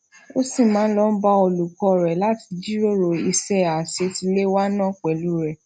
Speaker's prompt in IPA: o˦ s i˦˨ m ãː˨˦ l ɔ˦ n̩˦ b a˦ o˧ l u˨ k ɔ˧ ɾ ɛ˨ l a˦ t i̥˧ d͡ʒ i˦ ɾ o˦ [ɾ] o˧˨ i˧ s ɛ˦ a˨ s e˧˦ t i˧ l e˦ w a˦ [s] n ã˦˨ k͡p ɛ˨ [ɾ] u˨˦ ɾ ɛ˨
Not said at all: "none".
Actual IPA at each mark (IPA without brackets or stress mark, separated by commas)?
ɾ, none, l